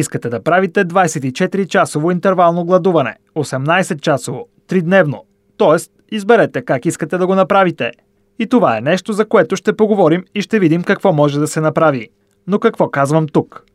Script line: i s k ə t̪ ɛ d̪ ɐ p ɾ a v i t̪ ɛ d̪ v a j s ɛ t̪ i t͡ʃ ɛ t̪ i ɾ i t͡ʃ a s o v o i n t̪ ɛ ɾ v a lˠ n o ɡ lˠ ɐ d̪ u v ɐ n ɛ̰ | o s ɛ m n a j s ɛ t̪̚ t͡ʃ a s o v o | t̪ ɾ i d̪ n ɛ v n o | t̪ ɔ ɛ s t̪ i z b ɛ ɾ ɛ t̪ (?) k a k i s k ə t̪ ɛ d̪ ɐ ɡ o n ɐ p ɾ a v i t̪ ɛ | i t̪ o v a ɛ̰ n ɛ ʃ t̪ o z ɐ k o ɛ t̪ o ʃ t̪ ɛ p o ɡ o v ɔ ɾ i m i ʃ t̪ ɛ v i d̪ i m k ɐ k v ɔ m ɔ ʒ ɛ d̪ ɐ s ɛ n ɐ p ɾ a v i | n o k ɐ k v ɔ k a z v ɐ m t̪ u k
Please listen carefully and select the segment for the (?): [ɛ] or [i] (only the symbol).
ɛ